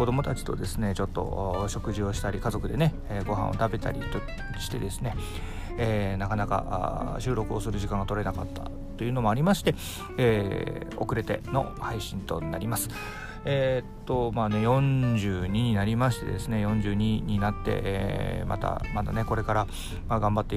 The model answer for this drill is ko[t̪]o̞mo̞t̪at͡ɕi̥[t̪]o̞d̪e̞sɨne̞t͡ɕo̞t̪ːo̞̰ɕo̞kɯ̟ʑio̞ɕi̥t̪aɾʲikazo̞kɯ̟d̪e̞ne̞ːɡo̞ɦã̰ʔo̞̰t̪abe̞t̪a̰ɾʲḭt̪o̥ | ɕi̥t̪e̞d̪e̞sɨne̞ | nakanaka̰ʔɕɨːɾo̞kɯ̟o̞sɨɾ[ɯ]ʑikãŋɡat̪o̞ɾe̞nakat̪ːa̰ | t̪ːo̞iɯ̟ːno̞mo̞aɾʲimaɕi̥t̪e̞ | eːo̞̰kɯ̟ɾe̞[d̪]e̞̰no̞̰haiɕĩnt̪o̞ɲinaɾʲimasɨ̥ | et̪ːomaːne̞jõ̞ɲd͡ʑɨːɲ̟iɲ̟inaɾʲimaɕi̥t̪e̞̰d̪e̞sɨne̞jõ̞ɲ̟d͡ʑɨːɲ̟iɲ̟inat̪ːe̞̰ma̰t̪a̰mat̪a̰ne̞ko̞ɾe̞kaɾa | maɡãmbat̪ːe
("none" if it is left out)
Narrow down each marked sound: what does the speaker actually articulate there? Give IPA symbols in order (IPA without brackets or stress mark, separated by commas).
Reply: d̪, t̪, ɯ, t̪